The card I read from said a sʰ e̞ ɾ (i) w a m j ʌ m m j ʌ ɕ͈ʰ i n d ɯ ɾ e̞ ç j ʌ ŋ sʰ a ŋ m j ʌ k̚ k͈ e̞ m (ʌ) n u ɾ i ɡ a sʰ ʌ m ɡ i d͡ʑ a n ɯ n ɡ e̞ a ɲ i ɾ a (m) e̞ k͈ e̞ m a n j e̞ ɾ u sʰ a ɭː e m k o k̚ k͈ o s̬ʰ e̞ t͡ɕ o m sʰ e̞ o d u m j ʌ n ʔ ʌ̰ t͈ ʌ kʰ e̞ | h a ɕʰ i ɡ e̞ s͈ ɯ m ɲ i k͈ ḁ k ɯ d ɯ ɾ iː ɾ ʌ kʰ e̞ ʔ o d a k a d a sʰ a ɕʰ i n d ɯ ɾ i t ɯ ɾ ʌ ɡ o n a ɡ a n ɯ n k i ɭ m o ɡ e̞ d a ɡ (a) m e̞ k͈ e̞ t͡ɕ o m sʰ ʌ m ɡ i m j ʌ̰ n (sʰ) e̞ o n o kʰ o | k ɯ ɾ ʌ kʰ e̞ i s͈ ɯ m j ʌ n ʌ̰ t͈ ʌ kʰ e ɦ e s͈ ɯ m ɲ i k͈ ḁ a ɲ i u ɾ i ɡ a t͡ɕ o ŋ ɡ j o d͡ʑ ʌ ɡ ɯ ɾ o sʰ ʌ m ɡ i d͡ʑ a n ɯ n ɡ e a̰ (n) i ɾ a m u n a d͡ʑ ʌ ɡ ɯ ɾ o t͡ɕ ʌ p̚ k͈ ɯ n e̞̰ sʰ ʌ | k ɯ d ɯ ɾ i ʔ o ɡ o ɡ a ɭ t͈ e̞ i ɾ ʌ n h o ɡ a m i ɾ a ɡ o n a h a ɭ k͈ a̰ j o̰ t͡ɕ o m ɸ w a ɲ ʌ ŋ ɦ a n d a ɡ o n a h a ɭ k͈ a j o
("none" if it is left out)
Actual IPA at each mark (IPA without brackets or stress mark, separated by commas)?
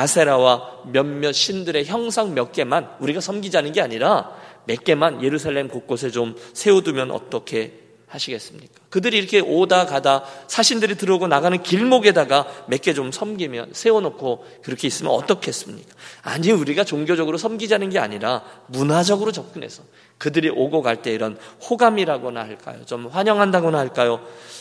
a, a, m, a, sʰ, ɲ